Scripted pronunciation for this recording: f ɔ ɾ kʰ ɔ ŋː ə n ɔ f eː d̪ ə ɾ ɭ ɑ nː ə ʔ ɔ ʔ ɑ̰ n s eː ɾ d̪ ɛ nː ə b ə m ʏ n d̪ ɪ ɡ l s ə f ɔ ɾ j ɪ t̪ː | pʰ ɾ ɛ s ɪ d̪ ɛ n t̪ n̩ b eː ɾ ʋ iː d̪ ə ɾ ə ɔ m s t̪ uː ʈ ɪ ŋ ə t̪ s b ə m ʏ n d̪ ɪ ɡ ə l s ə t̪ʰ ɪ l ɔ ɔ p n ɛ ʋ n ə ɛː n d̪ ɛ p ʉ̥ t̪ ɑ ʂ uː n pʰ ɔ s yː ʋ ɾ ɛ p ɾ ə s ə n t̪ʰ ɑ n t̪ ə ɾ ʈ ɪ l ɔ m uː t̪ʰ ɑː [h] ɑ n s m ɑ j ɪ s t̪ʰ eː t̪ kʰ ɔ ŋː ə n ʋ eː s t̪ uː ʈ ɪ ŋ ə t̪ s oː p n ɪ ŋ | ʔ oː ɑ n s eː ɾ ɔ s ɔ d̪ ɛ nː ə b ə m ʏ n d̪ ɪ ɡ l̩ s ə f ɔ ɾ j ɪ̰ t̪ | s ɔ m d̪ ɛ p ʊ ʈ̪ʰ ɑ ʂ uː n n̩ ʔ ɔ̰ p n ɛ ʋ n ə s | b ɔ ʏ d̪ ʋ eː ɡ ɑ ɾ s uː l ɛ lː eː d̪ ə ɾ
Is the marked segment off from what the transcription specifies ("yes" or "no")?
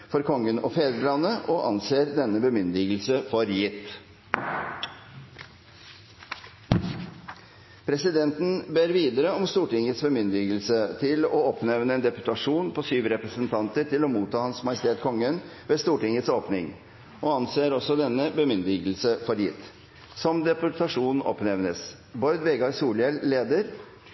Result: no